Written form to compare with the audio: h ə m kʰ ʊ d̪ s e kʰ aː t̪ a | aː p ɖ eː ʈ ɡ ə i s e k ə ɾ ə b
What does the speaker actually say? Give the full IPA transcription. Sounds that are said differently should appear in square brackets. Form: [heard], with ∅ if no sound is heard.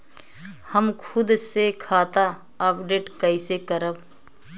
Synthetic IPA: h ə m kʰ ʊ d̪ s e kʰ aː t̪ a | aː p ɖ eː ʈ [k] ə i s e k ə ɾ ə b

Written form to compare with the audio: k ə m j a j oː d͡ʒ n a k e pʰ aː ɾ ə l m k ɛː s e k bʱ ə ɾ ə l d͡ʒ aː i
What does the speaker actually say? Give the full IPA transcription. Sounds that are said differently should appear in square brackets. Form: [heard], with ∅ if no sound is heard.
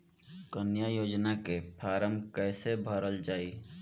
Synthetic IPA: k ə [n] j a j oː d͡ʒ n a k e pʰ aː ɾ ə [∅] m k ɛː s e [∅] bʱ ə ɾ ə l d͡ʒ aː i

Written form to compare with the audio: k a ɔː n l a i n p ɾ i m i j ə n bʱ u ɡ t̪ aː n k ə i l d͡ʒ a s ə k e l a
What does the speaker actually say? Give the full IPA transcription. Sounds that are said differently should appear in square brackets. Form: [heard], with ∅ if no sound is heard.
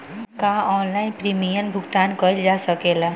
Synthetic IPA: k a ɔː n l a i n p ɾ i m i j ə n bʱ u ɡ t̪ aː n k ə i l d͡ʒ a s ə k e l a

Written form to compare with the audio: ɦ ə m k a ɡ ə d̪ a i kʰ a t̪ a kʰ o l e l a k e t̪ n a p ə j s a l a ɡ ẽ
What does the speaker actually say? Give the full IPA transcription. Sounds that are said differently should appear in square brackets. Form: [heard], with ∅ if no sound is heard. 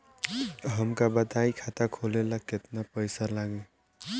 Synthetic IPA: ɦ ə m k a [b] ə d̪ a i kʰ a t̪ a kʰ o l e l a k e t̪ n a p ə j s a l a ɡ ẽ

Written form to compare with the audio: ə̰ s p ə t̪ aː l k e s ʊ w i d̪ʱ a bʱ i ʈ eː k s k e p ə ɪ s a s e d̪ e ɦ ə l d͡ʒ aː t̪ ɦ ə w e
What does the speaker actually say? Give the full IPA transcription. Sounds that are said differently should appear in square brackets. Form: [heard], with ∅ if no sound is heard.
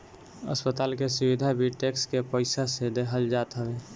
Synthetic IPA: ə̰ s p ə t̪ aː l k e s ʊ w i d̪ʱ a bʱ i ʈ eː k s k e p ə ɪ s a s e d̪ e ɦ ə l d͡ʒ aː t̪ ɦ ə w e

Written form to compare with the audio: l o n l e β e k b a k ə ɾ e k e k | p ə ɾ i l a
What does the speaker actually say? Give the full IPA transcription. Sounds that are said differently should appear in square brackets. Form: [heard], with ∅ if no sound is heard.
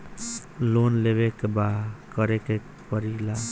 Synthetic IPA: l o n l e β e k b a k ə ɾ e k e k | p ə ɾ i l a

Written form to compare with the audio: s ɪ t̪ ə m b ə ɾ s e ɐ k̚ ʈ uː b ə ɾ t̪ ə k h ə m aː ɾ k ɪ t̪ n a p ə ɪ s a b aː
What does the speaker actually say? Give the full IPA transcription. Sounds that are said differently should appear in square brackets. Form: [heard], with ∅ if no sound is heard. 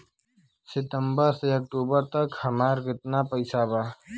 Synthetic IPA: s ɪ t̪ ə m b ə ɾ s e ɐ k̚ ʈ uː b ə ɾ t̪ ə k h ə m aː ɾ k ɪ t̪ n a p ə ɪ s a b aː

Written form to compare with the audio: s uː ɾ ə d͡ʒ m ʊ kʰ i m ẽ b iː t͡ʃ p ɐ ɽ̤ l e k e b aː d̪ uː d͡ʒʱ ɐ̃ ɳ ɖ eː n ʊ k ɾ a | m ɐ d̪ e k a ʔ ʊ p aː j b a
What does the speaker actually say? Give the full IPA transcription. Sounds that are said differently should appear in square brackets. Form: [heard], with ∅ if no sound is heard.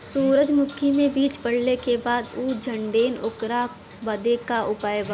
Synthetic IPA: s uː ɾ ə d͡ʒ m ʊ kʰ i m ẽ b iː t͡ʃ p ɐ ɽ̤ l e k e b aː d̪ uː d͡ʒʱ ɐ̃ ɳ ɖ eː n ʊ k ɾ a | [b] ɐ d̪ e k a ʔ ʊ p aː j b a

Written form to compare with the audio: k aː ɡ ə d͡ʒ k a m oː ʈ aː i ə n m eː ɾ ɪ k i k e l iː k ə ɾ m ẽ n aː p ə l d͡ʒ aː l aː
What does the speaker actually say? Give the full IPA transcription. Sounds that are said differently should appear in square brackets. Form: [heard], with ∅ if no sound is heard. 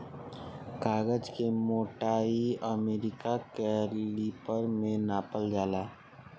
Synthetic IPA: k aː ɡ ə d͡ʒ k [e] m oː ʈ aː i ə [∅] m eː ɾ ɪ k [a] k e l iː [p] ə ɾ m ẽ n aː p ə l d͡ʒ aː l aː

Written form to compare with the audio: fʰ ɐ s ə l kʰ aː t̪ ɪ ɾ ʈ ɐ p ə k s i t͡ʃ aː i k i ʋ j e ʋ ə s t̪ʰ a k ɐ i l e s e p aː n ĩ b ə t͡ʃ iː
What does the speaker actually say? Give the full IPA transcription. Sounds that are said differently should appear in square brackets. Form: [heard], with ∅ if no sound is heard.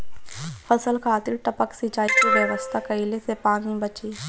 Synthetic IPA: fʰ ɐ s ə l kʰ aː t̪ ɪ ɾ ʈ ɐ p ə k s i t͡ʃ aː i k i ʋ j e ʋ ə s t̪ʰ a k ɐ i l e s e p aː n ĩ b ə t͡ʃ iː

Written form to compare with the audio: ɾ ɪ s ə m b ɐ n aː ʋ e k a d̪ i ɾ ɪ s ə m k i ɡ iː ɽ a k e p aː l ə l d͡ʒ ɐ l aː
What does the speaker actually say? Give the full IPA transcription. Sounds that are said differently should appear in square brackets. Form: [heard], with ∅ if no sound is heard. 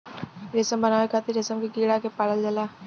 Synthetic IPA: ɾ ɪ s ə m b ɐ n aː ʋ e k a [t̪] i ɾ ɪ s ə m k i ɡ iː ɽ a k e p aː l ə l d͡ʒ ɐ l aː

